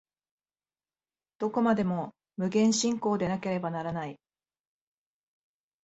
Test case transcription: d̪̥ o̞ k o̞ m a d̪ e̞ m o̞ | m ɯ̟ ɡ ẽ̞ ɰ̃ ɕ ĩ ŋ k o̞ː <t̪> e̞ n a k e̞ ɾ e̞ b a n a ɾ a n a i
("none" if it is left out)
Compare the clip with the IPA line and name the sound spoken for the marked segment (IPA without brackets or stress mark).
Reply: d̪